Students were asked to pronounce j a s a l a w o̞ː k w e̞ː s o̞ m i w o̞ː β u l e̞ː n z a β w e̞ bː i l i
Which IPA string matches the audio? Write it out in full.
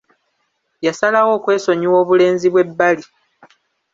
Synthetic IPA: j a s a l a w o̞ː k w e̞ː s o̞ ɲ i w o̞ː β u l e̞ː n z i β w e̞ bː a l i